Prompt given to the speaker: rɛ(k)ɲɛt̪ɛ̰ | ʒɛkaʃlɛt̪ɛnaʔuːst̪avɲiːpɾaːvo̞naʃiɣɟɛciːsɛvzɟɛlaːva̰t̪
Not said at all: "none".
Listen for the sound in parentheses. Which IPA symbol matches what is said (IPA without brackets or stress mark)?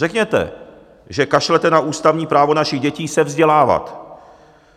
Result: k